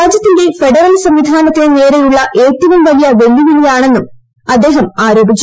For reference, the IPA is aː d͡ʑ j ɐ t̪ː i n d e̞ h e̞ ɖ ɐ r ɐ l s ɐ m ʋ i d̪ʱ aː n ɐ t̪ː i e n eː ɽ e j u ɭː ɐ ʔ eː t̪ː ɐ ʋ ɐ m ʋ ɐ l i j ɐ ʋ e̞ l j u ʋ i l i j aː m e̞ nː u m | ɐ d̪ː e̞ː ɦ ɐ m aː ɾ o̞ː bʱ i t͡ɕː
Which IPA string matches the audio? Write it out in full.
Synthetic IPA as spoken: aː d͡ʑ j ɐ t̪ː i n d e̞ f e̞ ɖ ɐ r ɐ l s ɐ m ʋ i d̪ʱ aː n ɐ t̪ː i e n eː ɾ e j u ɭː ɐ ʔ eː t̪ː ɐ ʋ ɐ m ʋ ɐ l i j ɐ ʋ e̞ l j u ʋ i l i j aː ɳ e̞ nː u m | ɐ d̪ː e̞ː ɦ ɐ m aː ɾ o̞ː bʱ i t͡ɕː